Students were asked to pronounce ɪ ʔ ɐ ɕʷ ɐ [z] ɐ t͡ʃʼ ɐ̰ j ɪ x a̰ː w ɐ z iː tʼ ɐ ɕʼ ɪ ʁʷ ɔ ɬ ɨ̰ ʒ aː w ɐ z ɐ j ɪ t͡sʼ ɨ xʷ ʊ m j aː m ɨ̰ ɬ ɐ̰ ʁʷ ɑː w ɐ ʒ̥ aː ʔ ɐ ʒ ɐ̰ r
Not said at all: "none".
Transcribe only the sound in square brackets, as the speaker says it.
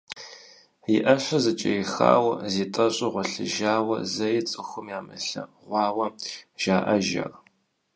z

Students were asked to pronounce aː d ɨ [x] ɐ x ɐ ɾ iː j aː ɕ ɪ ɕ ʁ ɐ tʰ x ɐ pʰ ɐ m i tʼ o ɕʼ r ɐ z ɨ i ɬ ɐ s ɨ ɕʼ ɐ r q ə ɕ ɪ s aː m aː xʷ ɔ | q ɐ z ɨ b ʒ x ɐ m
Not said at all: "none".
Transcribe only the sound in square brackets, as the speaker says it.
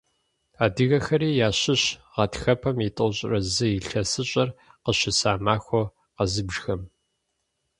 ɣ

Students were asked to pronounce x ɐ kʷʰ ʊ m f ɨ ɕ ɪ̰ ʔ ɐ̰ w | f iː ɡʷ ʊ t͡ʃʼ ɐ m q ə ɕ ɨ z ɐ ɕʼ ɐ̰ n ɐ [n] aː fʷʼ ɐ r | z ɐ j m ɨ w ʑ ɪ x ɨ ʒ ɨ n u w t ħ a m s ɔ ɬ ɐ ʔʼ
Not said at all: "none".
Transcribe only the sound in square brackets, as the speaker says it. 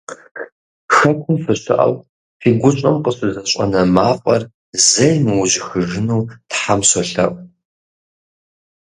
m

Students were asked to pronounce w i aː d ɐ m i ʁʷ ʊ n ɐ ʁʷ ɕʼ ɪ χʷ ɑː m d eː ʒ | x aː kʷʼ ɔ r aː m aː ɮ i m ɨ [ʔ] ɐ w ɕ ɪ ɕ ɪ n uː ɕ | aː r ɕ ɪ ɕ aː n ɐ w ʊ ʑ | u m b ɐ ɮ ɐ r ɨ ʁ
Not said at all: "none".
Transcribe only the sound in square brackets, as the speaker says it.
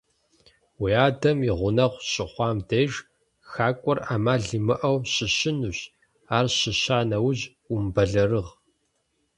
ʔ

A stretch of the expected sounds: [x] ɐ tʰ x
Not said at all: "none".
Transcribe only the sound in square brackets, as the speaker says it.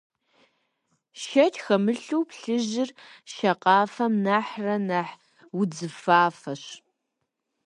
ʃ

